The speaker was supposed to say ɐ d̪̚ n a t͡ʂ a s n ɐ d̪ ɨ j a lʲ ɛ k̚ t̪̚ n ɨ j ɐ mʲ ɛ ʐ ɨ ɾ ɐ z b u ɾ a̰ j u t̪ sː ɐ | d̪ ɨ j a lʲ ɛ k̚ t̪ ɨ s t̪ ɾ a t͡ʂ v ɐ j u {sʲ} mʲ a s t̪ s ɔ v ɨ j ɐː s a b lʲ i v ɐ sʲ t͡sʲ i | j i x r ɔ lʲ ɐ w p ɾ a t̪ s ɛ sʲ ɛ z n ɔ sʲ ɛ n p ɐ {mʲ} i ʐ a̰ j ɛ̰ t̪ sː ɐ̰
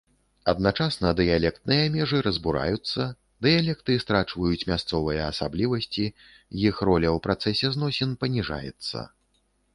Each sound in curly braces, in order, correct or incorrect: incorrect, incorrect

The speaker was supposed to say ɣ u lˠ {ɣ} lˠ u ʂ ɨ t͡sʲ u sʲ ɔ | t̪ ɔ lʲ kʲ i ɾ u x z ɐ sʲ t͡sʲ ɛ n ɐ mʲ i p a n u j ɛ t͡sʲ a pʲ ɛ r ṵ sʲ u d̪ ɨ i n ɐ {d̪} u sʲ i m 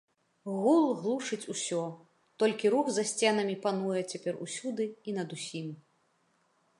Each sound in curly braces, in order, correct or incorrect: correct, correct

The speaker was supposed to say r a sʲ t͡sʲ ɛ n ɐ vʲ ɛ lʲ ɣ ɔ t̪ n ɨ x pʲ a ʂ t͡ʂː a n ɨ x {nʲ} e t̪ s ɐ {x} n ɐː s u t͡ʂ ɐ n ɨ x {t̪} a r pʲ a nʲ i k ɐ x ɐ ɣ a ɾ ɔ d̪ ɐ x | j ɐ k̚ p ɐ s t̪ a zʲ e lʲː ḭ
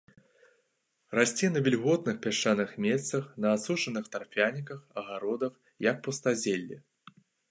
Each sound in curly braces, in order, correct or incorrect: incorrect, correct, correct

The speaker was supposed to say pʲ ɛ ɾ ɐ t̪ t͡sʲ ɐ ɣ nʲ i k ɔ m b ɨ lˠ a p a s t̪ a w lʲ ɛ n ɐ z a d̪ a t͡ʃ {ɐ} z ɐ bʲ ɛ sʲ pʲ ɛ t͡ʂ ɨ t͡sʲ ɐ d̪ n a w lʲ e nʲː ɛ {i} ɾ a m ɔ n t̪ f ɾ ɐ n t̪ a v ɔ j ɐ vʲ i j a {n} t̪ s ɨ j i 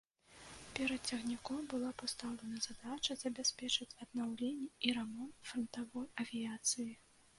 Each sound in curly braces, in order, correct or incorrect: correct, correct, incorrect

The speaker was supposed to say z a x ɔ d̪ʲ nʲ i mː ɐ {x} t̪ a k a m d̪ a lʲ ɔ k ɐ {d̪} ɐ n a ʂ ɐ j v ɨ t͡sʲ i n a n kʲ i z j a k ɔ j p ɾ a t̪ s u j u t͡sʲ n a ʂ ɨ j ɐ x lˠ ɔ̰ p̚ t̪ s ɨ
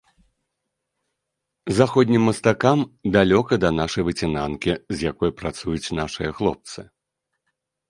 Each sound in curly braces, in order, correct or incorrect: incorrect, correct

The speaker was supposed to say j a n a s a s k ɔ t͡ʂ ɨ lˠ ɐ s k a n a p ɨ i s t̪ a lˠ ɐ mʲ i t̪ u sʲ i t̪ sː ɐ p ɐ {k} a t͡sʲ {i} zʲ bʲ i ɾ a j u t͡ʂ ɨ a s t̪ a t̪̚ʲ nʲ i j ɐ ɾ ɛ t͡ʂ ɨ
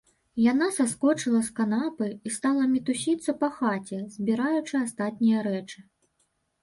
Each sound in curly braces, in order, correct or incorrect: incorrect, incorrect

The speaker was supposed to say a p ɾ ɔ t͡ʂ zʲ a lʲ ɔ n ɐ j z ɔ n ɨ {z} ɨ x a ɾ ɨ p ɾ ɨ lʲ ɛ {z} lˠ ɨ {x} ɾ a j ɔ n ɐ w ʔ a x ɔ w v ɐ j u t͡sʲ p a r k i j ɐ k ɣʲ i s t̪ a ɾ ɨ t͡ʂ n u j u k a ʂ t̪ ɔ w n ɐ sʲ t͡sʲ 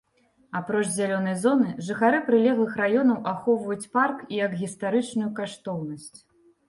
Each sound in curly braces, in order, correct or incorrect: incorrect, incorrect, correct

